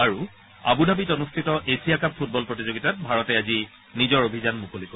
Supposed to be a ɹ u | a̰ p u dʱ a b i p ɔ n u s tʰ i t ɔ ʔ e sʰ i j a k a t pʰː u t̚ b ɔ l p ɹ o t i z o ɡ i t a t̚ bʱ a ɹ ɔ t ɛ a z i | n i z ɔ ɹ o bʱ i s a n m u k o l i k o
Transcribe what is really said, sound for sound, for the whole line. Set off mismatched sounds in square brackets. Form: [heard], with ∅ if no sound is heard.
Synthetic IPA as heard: a ɹ u | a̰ [b] u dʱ a b i [t] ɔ n u s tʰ i t ɔ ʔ e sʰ i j a k a [p] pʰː u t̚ b ɔ l p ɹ o t i z o ɡ i t a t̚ bʱ a ɹ ɔ t ɛ a z i | n i z ɔ ɹ o bʱ i [z] a n m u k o l i k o